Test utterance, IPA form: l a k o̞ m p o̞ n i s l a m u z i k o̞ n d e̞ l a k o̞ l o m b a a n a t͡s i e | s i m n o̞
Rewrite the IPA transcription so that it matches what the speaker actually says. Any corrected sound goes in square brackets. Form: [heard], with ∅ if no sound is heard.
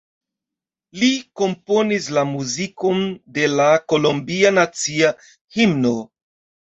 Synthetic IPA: l [i] k o̞ m p o̞ n i s l a m u z i k o̞ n d e̞ l a k o̞ l o m b [i] a n a t͡s i [a] | [h] i m n o̞